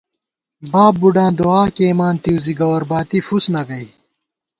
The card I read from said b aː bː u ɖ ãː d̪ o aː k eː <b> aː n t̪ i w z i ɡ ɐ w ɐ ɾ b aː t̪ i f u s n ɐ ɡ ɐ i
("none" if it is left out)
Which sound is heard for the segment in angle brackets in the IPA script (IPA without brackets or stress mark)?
m